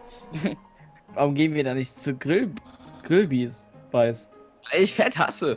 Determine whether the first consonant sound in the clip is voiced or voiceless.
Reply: voiced